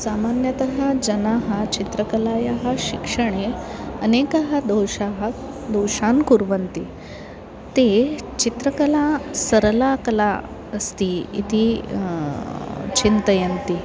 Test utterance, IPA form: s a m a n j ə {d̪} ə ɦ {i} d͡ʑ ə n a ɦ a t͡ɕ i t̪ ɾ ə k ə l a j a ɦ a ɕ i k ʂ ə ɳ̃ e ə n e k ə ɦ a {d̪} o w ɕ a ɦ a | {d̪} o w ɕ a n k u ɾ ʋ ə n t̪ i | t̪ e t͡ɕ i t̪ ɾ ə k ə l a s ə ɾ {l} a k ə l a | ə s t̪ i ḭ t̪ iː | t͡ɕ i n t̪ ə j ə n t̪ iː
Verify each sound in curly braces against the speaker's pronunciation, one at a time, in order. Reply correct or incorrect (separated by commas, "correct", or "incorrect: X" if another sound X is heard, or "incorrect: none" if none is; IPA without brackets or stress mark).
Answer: incorrect: t̪, incorrect: a, correct, correct, correct